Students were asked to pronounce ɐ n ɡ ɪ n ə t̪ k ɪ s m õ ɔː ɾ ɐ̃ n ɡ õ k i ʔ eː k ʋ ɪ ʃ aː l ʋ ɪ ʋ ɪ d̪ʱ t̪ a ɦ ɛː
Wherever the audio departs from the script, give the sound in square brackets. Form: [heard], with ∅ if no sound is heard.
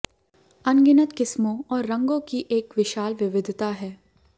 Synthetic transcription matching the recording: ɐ n ɡ ɪ n ə t̪ k ɪ s m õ ɔː [ɾː] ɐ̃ [ŋ] ɡ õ k i ʔ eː k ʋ ɪ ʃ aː l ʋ ɪ ʋ ɪ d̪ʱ t̪ a ɦ ɛː